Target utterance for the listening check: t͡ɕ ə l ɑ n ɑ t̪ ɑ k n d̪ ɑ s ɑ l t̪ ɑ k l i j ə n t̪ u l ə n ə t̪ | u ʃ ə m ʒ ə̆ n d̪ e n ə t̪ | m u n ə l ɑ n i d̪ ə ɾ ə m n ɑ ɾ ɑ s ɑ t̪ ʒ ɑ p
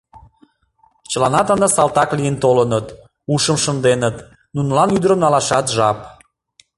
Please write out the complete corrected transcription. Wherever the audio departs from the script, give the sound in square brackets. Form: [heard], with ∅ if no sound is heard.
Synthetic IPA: t͡ɕ ə l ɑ n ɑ t̪ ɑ [∅] n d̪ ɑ s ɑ l t̪ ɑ k l i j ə n t̪ [o] l ə n ə t̪ | u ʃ ə m [ʃ] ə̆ n d̪ e n ə t̪ | [n] u n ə l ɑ n [y] d̪ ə ɾ ə m n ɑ [l] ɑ [ʃ] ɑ t̪ ʒ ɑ p